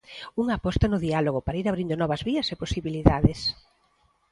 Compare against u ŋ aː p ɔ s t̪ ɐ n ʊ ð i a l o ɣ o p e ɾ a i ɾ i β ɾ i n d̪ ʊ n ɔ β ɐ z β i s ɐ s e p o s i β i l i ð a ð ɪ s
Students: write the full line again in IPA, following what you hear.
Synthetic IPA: u ŋ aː p ɔ s t̪ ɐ n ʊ ð i a l o ɣ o p a ɾ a i ɾ a β ɾ i n d̪ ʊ n ɔ β ɐ z β i ɐ s e p o s i β i l i ð a ð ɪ s